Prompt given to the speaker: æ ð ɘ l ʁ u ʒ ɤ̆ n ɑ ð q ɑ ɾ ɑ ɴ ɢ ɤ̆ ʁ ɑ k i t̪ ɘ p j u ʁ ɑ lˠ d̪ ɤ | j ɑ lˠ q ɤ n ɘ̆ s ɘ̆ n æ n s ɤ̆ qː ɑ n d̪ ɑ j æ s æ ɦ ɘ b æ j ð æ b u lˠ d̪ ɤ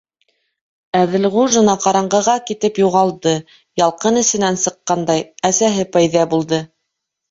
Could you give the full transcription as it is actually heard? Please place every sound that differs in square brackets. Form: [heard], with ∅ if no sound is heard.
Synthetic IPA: æ ð ɘ l ʁ u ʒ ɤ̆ n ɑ [∅] q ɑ ɾ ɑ ɴ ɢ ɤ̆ ʁ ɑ k i t̪ ɘ p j u ʁ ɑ lˠ d̪ ɤ | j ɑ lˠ q ɤ n ɘ̆ s ɘ̆ n æ n s ɤ̆ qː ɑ n d̪ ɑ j æ s æ ɦ ɘ [p] æ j ð æ b u lˠ d̪ ɤ